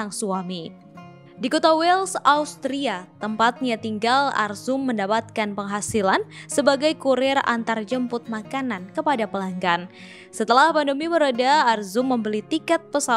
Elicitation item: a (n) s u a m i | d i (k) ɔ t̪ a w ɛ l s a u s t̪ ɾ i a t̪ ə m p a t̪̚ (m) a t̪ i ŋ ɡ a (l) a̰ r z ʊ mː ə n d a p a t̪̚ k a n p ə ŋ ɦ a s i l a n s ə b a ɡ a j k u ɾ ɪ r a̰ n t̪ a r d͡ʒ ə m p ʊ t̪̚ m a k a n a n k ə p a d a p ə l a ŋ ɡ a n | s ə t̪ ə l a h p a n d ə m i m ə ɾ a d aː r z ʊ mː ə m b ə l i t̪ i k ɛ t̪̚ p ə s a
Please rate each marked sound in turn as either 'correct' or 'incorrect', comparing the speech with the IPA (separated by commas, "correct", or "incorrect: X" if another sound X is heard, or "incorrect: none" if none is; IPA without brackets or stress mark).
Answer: incorrect: ŋ, correct, incorrect: ɲ, correct